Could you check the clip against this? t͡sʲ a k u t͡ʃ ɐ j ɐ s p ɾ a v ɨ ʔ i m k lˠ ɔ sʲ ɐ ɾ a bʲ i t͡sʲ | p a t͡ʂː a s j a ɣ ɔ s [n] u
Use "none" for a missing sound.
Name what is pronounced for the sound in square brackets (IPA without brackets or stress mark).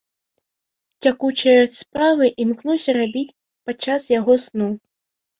n